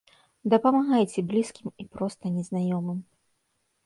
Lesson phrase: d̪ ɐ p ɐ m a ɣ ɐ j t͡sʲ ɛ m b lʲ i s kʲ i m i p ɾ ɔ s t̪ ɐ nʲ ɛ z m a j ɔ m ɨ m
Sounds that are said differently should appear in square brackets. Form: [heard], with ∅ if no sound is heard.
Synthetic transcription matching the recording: d̪ ɐ p ɐ m a ɣ [a] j t͡sʲ ɛ [∅] b lʲ i s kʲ i m i p ɾ ɔ s t̪ ɐ nʲ ɛ z [n] a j ɔ m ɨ m